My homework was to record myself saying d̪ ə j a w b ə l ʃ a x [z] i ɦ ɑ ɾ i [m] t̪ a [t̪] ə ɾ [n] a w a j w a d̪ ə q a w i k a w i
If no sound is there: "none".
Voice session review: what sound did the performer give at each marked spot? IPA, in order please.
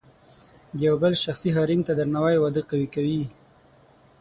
s, m, d̪, n

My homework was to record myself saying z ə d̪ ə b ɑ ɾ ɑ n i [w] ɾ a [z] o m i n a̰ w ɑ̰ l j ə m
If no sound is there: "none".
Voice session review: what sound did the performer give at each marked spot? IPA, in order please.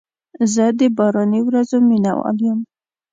w, z

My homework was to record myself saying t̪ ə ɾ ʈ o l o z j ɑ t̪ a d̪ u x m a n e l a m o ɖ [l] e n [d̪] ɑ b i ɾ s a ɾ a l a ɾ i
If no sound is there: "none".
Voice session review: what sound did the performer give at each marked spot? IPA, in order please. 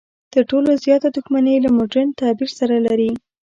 ɾ, t̪

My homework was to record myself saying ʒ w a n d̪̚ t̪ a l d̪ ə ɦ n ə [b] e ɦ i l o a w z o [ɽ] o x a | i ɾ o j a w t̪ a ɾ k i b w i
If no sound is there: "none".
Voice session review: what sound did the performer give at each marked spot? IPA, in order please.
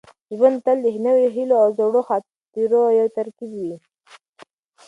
w, ɽ

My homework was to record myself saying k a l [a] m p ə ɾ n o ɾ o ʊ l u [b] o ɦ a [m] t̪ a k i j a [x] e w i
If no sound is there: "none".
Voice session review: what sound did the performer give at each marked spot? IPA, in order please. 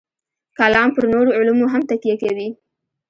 ɑ, m, m, k

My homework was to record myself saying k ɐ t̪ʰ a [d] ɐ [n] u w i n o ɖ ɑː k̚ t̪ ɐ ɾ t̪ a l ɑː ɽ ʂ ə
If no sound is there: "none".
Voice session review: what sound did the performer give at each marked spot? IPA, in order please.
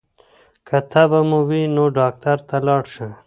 b, m

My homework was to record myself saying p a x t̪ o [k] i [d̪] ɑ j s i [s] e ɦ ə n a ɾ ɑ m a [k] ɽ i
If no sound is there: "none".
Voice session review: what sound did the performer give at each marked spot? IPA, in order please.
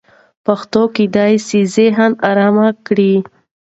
k, d̪, z, k

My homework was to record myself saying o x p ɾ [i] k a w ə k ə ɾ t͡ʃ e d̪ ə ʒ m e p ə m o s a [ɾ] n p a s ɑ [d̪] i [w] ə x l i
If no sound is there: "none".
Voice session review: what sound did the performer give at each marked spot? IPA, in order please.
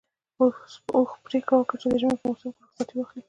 e, none, t̪, w

